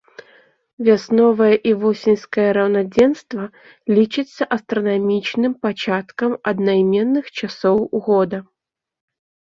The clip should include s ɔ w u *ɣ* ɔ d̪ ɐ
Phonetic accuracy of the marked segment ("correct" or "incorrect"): correct